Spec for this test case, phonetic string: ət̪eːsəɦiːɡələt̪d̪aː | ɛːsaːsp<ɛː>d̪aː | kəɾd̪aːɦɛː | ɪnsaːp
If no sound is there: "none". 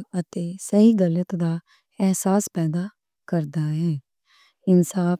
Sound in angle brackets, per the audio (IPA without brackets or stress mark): ɛː